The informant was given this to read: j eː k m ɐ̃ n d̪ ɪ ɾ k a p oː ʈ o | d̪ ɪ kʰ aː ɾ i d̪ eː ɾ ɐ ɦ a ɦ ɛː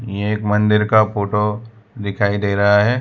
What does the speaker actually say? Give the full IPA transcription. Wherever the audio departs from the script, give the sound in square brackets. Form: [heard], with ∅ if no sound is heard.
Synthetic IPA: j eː k m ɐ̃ n d̪ ɪ ɾ k a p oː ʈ o | d̪ ɪ kʰ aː [∅] i d̪ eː ɾ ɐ ɦ a ɦ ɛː

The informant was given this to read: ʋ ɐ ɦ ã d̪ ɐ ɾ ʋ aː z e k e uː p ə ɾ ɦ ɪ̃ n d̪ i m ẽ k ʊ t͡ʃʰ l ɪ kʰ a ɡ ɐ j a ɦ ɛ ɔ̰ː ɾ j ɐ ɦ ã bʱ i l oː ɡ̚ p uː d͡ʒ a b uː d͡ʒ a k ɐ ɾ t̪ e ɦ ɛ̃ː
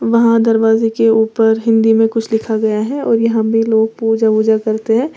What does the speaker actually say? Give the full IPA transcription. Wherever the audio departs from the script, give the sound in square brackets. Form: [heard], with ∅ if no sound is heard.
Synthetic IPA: ʋ ɐ ɦ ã d̪ ɐ ɾ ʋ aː z e k e uː p ə ɾ ɦ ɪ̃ n d̪ i m ẽ k ʊ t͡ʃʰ l ɪ kʰ a ɡ ɐ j a ɦ ɛ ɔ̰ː ɾ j ɐ ɦ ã bʱ i l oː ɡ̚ p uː d͡ʒ a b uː d͡ʒ a k ɐ ɾ t̪ e ɦ ɛ̃ː

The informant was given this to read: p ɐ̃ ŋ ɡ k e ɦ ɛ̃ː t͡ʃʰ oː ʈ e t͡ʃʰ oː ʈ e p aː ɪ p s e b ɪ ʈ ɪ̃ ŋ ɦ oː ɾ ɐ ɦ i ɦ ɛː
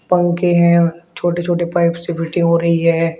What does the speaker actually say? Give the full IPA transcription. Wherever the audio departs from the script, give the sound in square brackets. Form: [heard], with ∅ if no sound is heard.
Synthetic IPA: p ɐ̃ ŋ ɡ k e ɦ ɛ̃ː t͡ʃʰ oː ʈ e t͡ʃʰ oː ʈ e p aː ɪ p s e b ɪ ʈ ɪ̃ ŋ ɦ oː ɾ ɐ ɦ i ɦ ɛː

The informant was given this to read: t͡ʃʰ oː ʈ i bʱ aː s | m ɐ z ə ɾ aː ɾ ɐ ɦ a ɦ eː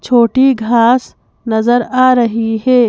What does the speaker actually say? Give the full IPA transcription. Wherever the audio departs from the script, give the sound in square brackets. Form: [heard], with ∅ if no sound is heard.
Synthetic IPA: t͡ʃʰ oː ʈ i [ɡʱ] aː s | [n] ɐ z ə ɾ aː ɾ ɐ ɦ [i] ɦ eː

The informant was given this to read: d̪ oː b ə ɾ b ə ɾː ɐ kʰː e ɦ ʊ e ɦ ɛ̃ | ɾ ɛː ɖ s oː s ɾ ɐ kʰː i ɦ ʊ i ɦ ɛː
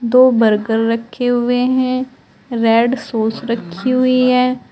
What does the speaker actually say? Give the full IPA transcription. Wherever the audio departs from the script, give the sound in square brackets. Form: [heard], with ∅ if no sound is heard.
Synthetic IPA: d̪ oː b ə ɾ [ɡ] ə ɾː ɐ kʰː e ɦ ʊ e ɦ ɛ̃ | ɾ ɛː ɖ s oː s ɾ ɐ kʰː i ɦ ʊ i ɦ ɛː

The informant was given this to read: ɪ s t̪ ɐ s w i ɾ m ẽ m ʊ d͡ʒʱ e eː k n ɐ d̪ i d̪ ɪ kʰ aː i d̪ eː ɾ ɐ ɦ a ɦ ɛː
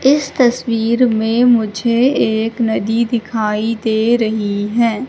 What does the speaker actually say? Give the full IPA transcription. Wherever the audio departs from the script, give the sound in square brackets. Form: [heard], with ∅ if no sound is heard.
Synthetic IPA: ɪ s t̪ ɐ s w [iː] ɾ m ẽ m ʊ d͡ʒʱ e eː k n ɐ d̪ i d̪ ɪ kʰ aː i d̪ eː ɾ ɐ ɦ [i] ɦ ɛː

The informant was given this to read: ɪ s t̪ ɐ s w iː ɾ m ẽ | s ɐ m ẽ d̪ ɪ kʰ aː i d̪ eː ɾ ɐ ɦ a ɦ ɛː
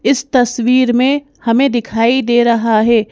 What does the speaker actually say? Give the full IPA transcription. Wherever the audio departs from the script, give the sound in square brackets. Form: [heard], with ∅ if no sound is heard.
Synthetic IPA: ɪ s t̪ ɐ s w iː ɾ m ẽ | [h] ɐ m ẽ d̪ ɪ kʰ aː i d̪ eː ɾ ɐ ɦ a ɦ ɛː

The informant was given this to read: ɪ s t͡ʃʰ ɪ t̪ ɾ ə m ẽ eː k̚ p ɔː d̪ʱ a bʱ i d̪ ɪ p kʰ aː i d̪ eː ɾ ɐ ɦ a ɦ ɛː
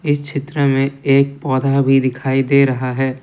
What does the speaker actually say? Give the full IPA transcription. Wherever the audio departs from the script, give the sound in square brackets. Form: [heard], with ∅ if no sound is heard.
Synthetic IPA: ɪ s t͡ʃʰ ɪ t̪ ɾ ə m ẽ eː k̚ p ɔː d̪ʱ a bʱ i d̪ ɪ [∅] kʰ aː i d̪ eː ɾ ɐ ɦ a ɦ ɛː

